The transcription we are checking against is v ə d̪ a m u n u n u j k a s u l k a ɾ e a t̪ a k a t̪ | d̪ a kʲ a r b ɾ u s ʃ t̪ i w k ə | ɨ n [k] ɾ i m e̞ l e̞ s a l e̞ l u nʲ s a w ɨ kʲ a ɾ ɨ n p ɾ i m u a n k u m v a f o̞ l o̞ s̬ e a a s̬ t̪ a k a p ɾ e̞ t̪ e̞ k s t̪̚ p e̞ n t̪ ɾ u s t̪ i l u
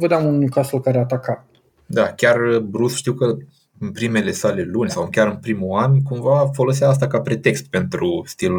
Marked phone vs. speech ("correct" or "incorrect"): incorrect